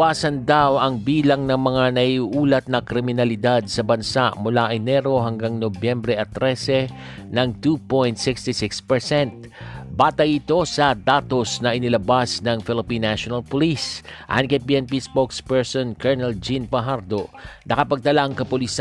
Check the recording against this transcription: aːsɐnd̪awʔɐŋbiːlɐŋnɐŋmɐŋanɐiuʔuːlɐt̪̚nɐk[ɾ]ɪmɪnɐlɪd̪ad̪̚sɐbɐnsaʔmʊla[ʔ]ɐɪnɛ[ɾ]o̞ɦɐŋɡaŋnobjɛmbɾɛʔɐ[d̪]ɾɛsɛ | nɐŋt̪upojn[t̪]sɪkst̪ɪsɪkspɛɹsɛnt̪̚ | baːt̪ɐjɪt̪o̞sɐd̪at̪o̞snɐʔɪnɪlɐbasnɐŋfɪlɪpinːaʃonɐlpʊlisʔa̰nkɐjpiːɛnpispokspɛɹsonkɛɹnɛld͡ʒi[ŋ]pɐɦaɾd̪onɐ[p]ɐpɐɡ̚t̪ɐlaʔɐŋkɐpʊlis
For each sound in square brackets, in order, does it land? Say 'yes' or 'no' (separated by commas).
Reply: yes, yes, yes, no, yes, no, no